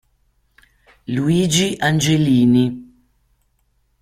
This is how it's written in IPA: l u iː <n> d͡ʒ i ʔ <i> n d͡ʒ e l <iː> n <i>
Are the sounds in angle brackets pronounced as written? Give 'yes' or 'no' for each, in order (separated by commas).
no, no, yes, yes